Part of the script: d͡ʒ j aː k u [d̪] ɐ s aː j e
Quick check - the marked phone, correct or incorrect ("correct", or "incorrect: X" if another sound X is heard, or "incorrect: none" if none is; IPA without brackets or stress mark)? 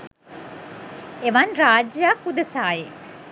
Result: correct